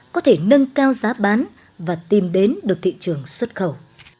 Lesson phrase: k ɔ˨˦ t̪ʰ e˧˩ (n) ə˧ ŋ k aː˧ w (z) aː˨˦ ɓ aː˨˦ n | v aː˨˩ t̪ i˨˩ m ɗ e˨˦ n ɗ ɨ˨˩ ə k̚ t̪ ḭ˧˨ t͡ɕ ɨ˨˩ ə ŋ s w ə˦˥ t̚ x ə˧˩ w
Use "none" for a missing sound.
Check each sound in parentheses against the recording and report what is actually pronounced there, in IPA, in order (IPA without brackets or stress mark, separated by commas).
n, z